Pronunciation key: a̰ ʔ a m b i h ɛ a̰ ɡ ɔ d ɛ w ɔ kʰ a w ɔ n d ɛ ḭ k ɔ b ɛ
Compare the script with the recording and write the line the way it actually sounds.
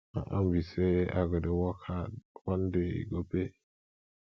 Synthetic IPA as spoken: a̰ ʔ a m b i s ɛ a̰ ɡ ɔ d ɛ w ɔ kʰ a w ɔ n d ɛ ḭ ɡ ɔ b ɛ